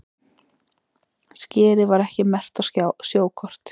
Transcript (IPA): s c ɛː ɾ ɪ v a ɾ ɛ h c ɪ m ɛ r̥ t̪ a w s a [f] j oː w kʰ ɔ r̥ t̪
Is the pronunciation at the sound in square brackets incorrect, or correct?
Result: incorrect